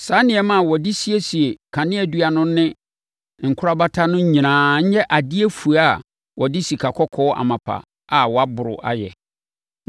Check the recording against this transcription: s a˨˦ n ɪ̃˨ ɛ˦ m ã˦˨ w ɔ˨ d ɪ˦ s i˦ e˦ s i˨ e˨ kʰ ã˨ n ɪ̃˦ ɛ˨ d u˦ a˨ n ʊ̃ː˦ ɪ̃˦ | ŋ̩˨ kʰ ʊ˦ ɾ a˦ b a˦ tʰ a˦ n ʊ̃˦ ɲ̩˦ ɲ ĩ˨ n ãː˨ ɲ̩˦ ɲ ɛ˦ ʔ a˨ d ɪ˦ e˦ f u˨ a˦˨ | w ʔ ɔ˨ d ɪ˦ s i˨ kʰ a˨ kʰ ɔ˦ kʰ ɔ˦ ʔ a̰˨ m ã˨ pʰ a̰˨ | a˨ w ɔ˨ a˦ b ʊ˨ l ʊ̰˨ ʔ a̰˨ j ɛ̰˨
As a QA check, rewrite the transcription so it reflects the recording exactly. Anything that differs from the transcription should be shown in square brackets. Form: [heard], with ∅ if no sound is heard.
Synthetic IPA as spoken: s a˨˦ n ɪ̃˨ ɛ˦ m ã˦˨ w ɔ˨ d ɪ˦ s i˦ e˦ s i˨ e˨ kʰ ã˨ n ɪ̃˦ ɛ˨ d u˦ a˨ n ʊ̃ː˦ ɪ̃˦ | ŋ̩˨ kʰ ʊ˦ ɾ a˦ b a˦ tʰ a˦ n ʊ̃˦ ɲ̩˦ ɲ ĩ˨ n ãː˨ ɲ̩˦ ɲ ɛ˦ ʔ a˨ d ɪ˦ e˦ f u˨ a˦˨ | w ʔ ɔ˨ d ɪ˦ s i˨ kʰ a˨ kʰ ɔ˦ kʰ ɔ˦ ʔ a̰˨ m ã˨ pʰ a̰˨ | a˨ w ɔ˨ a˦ b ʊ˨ [ɾ] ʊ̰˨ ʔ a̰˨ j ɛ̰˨

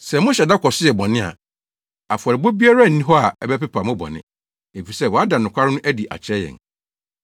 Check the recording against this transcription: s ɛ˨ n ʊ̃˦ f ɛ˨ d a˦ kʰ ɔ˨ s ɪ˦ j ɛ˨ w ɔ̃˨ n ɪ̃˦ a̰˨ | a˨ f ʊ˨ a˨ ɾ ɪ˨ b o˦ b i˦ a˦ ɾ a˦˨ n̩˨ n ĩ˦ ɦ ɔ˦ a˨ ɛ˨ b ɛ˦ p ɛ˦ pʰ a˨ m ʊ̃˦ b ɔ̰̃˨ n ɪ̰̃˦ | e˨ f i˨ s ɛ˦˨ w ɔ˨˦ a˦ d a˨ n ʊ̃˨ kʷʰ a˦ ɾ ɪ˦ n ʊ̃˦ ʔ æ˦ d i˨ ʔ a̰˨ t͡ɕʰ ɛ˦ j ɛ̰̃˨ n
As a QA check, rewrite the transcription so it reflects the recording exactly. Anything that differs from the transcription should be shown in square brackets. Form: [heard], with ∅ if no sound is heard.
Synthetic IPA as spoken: s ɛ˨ [m] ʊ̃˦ [ɕ] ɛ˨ d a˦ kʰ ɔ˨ s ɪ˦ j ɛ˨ [b] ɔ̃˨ n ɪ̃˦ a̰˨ | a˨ f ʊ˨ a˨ ɾ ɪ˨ b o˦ b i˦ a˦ ɾ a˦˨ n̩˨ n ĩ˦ ɦ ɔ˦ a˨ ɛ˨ b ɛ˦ p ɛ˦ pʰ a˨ m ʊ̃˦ b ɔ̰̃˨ n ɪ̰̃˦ | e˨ f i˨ s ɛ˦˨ w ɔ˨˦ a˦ d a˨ n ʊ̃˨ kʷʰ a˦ ɾ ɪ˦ n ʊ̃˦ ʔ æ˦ d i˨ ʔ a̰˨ t͡ɕʰ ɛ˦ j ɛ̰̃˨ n

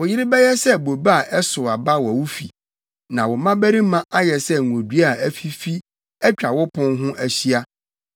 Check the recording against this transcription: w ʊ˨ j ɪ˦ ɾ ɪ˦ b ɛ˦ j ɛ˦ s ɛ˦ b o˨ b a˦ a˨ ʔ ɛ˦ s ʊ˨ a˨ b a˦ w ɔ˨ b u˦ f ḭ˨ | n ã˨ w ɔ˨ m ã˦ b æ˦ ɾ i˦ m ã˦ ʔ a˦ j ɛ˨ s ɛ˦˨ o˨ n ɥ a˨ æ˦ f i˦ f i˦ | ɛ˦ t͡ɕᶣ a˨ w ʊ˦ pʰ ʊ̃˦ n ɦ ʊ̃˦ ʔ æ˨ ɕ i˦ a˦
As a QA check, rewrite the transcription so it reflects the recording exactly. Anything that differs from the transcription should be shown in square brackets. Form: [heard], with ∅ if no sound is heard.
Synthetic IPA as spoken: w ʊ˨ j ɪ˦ ɾ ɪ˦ b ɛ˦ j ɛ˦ s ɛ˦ b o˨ b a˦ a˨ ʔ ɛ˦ s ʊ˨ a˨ b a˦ w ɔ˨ [w] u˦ f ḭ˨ | n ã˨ w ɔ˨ m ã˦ b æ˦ ɾ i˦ m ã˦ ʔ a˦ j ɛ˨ s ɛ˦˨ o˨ [d] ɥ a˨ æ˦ f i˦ f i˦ | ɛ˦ t͡ɕᶣ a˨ w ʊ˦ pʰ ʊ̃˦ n ɦ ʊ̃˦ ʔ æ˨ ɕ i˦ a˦

